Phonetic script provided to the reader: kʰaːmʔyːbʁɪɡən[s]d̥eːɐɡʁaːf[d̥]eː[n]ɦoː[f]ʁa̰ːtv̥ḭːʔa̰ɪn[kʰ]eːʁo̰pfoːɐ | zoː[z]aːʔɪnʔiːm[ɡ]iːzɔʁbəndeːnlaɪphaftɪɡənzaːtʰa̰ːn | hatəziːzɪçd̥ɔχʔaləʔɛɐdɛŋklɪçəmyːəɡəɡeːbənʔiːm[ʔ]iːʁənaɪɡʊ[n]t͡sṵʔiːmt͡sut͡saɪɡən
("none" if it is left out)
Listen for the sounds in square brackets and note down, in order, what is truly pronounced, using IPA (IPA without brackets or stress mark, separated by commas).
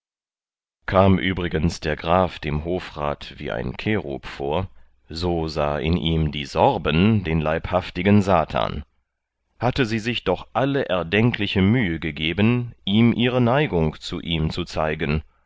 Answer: s, d̥, m, f, kʰ, z, d, ʔ, ŋ